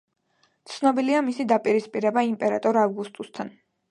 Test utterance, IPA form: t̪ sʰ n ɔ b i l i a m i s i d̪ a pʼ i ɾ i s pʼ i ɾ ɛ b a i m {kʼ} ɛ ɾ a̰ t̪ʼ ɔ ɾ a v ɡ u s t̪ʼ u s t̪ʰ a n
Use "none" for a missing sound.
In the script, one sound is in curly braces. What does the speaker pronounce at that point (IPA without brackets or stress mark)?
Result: pʼ